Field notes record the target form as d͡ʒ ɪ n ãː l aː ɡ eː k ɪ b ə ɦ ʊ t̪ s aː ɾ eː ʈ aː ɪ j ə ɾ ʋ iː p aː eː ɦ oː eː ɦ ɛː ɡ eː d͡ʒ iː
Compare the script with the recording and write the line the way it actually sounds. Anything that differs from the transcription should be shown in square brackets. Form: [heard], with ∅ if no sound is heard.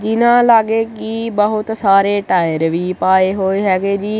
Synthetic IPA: d͡ʒ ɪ n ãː l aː ɡ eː k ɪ b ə ɦ ʊ t̪ s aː ɾ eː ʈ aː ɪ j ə ɾ ʋ iː p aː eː ɦ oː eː ɦ ɛː ɡ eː d͡ʒ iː